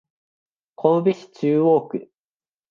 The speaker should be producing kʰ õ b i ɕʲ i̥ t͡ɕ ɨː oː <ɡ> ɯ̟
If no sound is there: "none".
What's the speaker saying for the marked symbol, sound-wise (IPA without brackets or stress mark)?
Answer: k